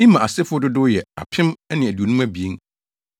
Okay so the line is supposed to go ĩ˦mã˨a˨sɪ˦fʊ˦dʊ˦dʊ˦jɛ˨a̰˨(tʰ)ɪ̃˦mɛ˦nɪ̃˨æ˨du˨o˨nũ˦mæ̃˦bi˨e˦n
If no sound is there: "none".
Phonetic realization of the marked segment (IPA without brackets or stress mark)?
pʰ